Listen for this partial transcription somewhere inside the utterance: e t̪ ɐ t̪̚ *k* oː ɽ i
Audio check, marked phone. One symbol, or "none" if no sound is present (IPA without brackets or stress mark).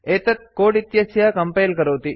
k